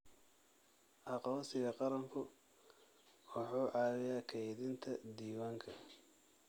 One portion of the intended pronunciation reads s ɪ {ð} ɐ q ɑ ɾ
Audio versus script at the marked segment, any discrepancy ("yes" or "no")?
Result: yes